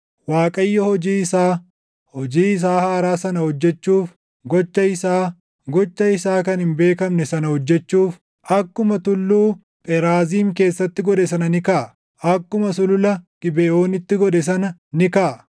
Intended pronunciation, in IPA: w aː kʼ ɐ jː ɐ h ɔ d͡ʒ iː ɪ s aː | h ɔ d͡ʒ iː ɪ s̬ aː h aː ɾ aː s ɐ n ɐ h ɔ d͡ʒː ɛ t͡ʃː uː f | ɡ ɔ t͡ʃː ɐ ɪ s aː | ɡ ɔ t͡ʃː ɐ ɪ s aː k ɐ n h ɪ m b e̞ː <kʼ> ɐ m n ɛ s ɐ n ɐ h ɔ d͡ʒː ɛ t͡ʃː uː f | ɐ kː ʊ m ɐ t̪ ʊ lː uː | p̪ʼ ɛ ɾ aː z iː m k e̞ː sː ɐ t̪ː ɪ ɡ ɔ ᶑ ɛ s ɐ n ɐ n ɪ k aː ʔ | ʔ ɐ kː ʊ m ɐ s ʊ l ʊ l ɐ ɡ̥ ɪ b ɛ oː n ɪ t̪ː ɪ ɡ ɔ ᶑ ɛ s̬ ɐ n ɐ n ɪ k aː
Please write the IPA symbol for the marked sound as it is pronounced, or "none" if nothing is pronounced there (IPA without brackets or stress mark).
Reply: k